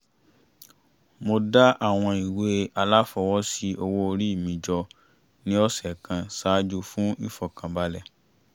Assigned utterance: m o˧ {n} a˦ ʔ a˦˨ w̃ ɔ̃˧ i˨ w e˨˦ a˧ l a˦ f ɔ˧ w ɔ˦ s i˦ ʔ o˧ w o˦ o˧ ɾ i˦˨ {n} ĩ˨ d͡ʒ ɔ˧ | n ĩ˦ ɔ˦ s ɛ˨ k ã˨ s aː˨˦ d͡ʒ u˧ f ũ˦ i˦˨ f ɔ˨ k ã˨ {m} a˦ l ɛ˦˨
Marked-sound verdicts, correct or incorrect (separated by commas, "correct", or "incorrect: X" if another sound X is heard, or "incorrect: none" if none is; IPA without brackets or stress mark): incorrect: d, incorrect: m, incorrect: b